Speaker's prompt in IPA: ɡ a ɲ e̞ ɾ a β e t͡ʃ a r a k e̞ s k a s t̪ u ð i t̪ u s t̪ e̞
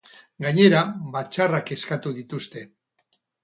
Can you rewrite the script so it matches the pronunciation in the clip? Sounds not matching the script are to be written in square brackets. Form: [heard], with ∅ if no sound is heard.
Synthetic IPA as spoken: ɡ a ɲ e̞ ɾ a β [a] t͡ʃ a r a k e̞ s k a [∅] t̪ u ð i t̪ u s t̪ e̞